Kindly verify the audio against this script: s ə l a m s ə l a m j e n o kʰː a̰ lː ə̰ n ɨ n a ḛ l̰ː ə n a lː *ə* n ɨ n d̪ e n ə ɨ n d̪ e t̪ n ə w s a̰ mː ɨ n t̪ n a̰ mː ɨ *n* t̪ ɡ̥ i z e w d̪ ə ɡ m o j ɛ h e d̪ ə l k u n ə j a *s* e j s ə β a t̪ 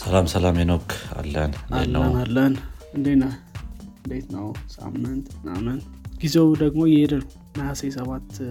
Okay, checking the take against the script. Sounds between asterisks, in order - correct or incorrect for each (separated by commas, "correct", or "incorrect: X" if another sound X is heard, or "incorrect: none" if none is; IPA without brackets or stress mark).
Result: correct, correct, correct